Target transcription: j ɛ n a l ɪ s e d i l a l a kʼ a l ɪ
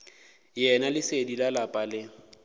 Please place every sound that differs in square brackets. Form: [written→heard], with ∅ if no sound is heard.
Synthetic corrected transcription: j ɛ n a l ɪ s e d i l a l a [kʼ→pʼ] a l ɪ

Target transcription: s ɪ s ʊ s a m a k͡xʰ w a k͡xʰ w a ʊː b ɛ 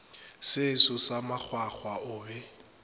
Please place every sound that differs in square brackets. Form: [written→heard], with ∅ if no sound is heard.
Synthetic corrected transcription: s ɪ s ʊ s a m a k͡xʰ w a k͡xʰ w a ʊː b ɛ

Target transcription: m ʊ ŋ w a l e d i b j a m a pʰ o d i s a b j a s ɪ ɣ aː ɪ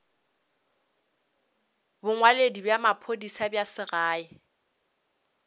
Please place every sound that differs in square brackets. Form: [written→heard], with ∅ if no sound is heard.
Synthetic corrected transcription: [m→b] ʊ ŋ w a l e d i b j a m a pʰ o d i s a b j a s ɪ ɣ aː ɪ

